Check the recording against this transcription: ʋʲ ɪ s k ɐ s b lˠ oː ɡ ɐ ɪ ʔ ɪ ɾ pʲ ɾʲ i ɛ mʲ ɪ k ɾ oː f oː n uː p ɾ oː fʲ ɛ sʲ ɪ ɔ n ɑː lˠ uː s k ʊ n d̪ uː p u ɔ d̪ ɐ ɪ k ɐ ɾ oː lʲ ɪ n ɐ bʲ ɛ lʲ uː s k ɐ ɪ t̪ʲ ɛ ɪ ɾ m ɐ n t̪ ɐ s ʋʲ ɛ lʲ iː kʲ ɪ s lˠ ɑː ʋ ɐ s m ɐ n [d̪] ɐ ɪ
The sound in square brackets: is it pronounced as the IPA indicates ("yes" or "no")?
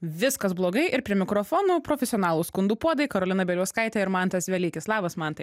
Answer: no